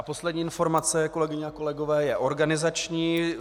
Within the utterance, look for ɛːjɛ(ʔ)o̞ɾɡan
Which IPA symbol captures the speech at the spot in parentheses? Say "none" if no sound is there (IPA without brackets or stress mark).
ʔ